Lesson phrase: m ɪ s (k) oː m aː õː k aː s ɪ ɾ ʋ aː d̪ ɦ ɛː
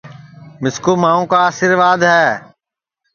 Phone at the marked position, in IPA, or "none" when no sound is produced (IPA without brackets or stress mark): k